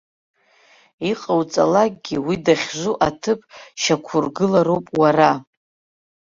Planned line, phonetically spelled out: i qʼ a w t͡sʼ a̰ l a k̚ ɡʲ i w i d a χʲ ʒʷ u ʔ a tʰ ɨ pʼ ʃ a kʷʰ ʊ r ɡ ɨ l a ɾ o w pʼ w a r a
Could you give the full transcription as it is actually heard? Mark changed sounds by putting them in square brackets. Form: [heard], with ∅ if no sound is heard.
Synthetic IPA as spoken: i qʼ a w t͡sʼ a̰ l a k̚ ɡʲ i w i d a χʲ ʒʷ u ʔ a tʰ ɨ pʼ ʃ a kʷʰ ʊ r ɡ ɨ l a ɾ o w pʼ w a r a